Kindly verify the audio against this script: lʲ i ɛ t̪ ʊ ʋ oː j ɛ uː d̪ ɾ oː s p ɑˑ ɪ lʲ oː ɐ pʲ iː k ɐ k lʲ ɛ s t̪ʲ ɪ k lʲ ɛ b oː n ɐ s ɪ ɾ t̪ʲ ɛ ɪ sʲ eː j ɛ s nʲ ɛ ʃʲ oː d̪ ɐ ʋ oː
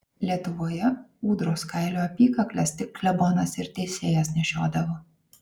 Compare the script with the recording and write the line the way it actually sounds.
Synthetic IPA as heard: lʲ i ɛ t̪ ʊ ʋ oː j ɛ uː d̪ ɾ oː s k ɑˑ ɪ lʲ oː ɐ pʲ iː k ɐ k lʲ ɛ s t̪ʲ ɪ k lʲ ɛ b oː n ɐ s ɪ ɾ t̪ʲ ɛ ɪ sʲ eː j ɛ s nʲ ɛ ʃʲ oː d̪ ɐ ʋ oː